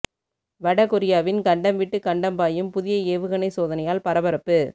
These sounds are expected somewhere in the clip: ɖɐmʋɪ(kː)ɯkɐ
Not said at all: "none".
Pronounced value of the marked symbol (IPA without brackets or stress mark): ʈː